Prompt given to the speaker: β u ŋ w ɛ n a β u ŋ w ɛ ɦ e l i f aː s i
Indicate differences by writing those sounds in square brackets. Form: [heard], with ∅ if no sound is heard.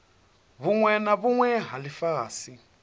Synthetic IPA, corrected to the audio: β u ŋ w ɛ n a β u ŋ w ɛ ɦ [a] l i f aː s i